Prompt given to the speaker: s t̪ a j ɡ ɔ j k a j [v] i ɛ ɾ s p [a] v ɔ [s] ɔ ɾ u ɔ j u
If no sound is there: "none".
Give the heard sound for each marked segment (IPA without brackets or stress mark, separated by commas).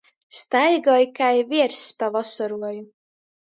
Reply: v, a, s